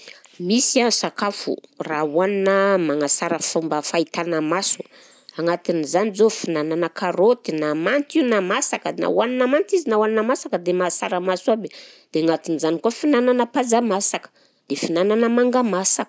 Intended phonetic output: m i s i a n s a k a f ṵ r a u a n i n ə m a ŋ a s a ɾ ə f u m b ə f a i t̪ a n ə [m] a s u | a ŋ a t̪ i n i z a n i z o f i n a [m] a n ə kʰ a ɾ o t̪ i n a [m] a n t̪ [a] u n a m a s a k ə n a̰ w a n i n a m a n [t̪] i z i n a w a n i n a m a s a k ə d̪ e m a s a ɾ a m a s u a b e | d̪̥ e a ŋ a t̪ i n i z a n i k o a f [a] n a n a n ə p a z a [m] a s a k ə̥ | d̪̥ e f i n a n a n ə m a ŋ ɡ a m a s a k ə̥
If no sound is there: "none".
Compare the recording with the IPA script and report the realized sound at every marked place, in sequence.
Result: m, n, m, i, t̪, i, m

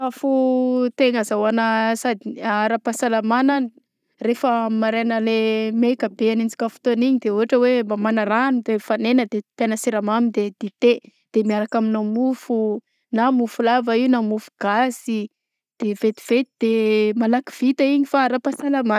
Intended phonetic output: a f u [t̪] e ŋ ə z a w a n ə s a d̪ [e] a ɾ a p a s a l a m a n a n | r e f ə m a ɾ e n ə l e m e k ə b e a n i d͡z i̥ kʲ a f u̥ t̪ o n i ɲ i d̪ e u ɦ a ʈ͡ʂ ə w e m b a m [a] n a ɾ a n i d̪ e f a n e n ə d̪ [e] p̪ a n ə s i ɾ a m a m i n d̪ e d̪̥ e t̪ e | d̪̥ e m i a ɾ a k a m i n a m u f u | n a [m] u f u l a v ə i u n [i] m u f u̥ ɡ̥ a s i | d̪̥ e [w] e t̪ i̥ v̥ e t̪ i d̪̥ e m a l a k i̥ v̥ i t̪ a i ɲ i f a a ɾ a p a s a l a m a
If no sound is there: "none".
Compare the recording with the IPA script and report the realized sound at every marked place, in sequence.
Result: t̪, i, a, e, m, a, v

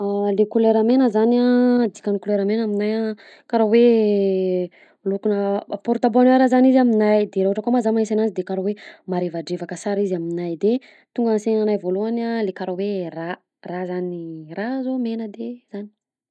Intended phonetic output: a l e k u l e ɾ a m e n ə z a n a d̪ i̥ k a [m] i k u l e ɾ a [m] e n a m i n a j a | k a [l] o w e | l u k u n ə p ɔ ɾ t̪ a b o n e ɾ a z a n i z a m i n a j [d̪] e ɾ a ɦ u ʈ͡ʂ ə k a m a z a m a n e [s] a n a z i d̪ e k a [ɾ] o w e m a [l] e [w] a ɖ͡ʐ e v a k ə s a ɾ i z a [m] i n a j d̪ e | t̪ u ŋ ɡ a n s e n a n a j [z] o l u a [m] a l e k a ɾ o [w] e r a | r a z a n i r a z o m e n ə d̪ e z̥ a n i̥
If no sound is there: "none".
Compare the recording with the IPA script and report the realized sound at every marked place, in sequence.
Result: n, m, ɾ, d̪, s, ɾ, ɾ, v, m, v, n, w

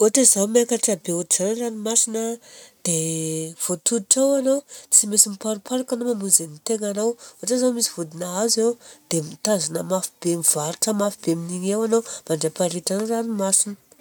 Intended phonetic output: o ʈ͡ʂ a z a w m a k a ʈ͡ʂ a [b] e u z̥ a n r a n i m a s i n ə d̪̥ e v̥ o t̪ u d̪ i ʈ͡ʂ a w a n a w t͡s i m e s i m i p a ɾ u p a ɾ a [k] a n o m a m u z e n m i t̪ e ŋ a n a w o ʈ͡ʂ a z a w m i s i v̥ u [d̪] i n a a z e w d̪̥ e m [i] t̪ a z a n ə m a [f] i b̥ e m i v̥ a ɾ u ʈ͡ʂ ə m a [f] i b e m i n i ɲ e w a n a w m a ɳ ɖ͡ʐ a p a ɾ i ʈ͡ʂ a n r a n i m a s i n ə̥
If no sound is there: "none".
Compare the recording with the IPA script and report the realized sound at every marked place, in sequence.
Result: b, k, d̪, i, f, f

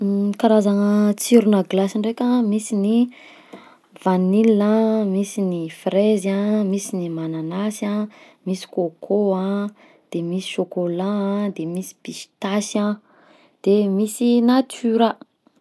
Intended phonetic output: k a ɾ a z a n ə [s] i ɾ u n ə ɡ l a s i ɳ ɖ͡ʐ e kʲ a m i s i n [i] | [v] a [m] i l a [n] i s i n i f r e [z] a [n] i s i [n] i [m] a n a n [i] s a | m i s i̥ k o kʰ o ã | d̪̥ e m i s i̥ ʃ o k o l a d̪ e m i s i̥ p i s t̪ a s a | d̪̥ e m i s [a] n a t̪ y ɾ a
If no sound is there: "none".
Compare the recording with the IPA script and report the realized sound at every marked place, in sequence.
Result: t͡s, i, v, n, m, z, m, n, m, a, i

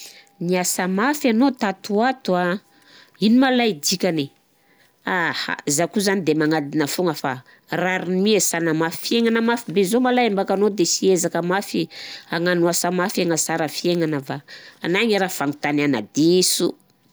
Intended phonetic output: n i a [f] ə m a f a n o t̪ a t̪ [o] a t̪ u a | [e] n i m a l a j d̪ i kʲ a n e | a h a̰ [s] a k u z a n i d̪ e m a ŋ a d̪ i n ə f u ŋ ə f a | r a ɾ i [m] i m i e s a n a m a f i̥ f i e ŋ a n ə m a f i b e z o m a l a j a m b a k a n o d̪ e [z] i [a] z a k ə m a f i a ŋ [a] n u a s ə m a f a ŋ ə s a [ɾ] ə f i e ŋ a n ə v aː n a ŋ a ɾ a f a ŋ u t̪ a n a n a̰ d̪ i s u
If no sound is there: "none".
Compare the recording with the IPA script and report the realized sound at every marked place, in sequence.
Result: s, u, i, z, n, s, e, a, ɾ

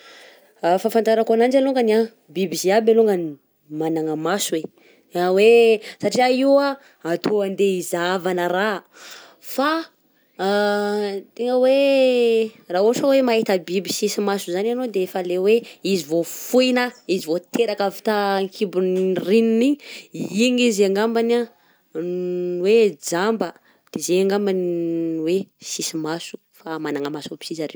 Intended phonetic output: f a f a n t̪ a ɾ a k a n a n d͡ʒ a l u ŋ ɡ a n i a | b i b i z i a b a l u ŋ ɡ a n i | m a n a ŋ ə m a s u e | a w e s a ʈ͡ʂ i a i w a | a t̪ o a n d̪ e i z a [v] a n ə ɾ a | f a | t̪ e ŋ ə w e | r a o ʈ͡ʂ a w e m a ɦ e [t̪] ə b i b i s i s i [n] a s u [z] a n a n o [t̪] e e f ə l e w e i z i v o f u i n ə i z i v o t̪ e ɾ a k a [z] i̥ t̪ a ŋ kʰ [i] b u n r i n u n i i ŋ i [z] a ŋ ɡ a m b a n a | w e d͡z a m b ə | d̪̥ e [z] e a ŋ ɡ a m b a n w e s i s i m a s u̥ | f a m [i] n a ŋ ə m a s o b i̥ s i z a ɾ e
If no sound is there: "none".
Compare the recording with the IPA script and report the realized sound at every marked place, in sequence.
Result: v, t̪, m, z, d̪, v, i, z, z, a

